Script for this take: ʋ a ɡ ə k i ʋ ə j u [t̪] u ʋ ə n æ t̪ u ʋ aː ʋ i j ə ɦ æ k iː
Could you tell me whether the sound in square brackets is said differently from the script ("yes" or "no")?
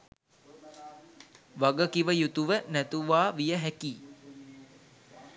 no